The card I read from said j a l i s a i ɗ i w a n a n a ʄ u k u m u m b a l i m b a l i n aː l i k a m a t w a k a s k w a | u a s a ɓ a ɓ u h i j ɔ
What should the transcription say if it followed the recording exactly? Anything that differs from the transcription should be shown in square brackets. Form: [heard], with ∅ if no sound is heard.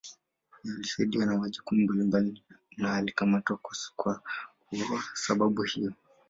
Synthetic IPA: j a l i s a i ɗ i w a n a [m] a ʄ u k u m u m b a l i m b a l i n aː l i k a m a t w a k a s k w a | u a s a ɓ a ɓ u h i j ɔ